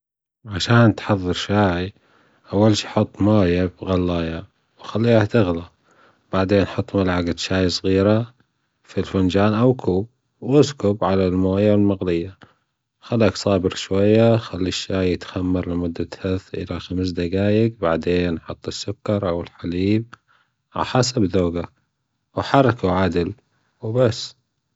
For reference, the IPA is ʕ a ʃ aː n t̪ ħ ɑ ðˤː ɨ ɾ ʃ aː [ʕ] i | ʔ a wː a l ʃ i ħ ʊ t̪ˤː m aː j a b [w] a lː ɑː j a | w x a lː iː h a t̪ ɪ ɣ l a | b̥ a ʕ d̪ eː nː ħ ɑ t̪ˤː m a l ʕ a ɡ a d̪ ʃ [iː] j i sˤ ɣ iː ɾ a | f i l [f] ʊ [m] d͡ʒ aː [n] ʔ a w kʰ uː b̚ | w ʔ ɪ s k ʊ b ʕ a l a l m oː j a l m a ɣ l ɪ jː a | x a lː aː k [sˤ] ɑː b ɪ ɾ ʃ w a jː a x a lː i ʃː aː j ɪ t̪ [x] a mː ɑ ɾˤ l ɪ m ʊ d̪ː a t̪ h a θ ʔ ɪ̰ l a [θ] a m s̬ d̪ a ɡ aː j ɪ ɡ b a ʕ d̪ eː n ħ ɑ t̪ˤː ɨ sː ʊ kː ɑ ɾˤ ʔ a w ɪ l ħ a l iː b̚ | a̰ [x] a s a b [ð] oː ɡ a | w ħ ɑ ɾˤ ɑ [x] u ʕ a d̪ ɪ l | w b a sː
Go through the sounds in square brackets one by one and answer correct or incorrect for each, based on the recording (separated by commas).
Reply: correct, incorrect, incorrect, correct, incorrect, correct, correct, correct, incorrect, incorrect, correct, incorrect